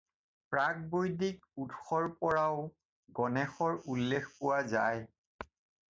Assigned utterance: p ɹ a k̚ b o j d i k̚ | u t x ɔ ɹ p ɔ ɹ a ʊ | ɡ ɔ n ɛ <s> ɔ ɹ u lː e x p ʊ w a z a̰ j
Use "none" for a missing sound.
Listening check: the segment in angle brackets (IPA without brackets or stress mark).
x